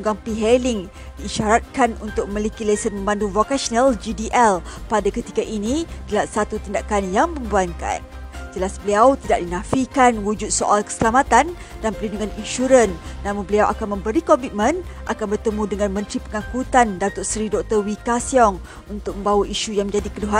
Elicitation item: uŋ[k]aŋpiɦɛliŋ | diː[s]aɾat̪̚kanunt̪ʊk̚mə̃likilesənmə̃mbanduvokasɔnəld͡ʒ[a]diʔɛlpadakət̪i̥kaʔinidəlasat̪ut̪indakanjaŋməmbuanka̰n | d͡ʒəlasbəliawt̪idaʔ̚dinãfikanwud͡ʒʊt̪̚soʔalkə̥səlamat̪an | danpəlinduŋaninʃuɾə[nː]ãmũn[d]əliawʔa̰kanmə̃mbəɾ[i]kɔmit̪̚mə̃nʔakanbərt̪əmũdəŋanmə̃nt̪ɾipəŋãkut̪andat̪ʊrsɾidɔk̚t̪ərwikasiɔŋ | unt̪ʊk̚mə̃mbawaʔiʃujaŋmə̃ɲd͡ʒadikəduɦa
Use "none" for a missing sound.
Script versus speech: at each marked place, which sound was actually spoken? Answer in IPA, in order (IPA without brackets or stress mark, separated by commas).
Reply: ɡ, ʃ, i, nː, b, i